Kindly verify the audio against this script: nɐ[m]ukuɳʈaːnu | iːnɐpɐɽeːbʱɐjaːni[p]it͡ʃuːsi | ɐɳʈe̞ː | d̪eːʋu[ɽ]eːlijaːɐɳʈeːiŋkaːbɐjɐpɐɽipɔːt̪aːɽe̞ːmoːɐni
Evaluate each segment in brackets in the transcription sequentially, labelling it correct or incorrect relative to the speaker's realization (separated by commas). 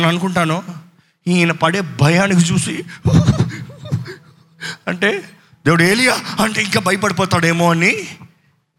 incorrect, incorrect, correct